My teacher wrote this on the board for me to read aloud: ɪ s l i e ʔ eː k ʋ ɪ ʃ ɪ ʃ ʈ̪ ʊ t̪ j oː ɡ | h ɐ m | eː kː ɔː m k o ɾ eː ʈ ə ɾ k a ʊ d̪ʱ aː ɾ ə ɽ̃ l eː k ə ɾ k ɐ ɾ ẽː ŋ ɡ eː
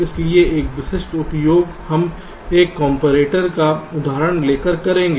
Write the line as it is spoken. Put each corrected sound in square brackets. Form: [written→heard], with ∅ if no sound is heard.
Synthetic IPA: ɪ s l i e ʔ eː k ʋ ɪ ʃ ɪ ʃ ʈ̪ ʊ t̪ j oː ɡ | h ɐ m | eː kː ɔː m [k→p] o ɾ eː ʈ ə ɾ k a ʊ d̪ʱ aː ɾ ə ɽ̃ l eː k ə ɾ k ɐ ɾ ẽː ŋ ɡ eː